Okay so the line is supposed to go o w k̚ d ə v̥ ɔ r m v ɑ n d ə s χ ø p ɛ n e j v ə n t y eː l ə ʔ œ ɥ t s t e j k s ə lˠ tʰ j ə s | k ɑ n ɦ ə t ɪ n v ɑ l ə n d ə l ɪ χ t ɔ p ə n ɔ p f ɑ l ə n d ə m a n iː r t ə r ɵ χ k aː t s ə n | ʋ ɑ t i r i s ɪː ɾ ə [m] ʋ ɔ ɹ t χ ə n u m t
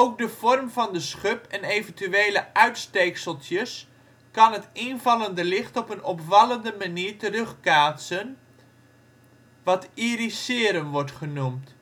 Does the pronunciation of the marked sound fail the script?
no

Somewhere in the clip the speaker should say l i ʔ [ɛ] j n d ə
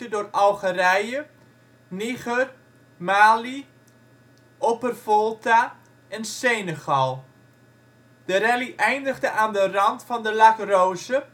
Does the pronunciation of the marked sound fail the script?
no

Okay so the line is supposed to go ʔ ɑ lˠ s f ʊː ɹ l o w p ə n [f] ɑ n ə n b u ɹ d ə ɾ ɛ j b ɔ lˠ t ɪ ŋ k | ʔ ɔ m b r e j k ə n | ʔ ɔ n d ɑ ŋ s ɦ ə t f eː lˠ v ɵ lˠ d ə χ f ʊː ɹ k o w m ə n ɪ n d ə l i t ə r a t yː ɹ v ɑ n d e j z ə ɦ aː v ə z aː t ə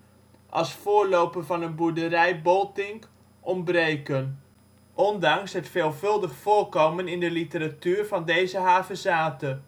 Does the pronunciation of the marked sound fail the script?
yes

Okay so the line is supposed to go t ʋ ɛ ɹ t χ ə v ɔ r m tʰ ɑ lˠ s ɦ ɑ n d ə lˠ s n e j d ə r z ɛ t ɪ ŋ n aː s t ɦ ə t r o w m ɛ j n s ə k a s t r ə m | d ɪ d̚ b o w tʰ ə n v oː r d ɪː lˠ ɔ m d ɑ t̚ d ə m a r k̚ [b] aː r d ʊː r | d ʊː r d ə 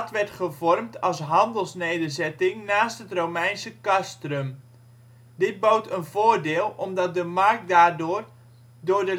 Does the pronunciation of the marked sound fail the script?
yes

